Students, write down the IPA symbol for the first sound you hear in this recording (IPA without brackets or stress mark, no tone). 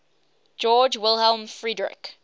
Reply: d͡ʒ